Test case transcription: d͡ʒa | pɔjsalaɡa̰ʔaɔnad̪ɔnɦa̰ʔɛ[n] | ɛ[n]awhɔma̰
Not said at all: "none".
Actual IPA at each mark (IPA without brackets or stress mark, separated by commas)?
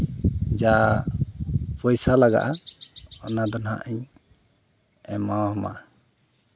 ɲ, m